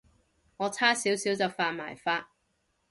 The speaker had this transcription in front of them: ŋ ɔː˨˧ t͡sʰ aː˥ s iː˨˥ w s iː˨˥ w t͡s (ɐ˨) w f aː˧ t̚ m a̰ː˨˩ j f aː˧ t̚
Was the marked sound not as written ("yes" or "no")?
no